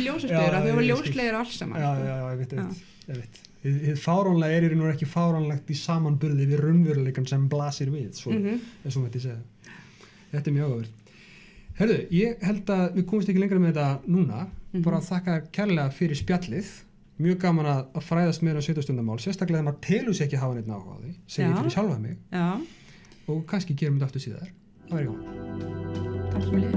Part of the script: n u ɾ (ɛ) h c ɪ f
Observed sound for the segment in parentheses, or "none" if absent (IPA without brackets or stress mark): ɛ